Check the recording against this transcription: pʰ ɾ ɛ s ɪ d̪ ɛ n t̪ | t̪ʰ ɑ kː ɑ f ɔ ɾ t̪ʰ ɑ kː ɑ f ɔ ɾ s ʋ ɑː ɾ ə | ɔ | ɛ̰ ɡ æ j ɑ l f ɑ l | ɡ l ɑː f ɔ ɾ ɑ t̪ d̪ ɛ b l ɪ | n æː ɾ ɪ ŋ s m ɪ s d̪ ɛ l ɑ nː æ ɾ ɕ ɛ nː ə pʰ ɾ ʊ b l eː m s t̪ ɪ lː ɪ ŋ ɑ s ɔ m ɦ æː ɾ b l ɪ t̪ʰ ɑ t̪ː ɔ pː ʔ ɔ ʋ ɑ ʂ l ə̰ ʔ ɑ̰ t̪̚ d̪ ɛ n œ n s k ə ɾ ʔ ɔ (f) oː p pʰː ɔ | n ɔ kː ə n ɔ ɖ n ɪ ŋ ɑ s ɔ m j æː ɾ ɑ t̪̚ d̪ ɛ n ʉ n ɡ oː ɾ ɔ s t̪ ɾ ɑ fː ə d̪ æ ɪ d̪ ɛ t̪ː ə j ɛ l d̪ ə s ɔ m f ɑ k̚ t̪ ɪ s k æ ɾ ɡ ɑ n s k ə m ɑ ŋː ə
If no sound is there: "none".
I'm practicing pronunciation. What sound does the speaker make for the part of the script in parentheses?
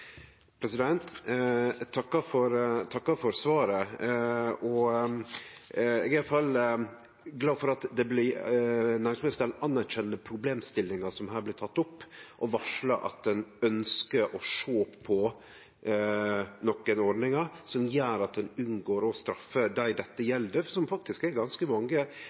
ʂ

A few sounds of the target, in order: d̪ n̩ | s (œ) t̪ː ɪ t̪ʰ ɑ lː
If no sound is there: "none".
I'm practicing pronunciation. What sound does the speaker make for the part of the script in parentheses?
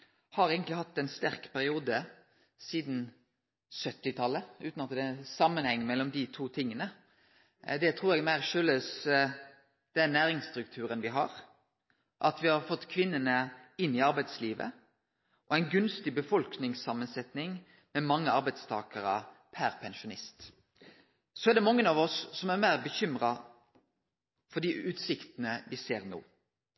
œ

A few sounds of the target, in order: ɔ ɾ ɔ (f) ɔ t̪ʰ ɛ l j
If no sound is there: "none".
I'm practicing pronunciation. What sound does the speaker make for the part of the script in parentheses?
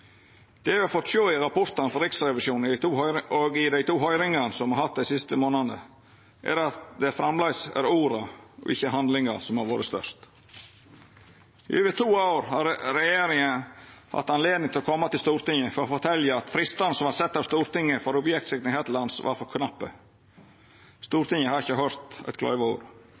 f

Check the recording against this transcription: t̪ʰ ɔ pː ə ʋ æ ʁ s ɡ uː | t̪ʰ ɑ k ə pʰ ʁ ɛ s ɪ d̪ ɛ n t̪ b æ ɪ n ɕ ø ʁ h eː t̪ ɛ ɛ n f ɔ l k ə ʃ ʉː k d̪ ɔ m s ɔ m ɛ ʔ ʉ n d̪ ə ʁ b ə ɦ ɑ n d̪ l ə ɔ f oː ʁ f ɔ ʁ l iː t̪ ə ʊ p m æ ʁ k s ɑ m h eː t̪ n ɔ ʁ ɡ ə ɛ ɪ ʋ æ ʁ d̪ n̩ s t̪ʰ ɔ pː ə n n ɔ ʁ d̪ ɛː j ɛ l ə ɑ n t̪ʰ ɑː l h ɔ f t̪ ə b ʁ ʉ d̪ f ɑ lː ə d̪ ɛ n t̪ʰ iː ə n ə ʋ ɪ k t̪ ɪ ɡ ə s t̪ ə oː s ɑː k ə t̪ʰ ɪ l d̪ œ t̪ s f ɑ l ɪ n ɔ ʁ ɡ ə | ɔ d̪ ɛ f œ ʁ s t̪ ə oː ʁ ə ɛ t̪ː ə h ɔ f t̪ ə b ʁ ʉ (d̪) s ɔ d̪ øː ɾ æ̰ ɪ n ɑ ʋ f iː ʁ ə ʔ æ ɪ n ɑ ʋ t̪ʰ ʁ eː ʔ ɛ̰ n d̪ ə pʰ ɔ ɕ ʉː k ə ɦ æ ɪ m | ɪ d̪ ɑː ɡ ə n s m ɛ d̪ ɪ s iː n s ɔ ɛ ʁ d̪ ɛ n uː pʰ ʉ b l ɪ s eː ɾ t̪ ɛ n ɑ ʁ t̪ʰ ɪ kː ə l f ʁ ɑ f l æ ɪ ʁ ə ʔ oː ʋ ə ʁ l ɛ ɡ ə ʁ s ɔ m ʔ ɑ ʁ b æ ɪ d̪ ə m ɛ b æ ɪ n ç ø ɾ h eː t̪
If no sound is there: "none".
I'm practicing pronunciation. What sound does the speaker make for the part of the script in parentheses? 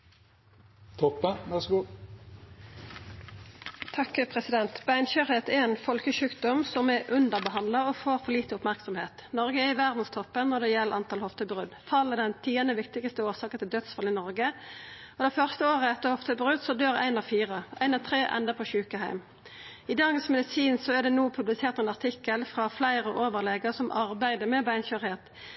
d̪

